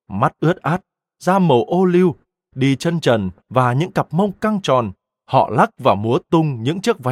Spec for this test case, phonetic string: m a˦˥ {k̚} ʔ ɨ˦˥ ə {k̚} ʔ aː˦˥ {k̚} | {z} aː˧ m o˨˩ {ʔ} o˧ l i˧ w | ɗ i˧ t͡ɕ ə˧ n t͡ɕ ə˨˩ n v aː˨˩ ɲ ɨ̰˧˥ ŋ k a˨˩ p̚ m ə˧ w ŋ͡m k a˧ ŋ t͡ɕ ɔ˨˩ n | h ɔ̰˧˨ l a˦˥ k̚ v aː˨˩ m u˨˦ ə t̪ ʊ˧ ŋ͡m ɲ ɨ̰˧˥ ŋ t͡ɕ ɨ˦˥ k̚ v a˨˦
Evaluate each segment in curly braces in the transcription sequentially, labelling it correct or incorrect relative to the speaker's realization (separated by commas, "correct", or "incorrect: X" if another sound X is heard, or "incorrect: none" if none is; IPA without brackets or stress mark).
incorrect: t̚, incorrect: t̚, incorrect: t̚, correct, correct